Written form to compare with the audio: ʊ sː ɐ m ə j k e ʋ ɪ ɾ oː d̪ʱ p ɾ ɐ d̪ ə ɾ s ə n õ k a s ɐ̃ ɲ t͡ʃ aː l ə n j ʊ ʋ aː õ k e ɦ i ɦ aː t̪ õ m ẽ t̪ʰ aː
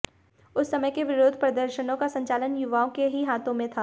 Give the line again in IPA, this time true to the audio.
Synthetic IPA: ʊ sː ɐ m ə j k e ʋ ɪ ɾ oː d̪ʱ p ɾ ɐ d̪ ə ɾ ʃ ə n õ k a s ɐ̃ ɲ t͡ʃ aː l ə n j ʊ ʋ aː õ k e ɦ i ɦ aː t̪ õ m ẽ t̪ʰ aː